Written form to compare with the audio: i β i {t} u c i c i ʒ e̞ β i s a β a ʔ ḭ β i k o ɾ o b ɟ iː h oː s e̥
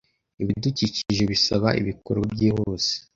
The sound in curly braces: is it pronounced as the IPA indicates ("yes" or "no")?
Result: no